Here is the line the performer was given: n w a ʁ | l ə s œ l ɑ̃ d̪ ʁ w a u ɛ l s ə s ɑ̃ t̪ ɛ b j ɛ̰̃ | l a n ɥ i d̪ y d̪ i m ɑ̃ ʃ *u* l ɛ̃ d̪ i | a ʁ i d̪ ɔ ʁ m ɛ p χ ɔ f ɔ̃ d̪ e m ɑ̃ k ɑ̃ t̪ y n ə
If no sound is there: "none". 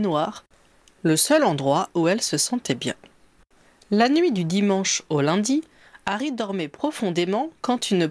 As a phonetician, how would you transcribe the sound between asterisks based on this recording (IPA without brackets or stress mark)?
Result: o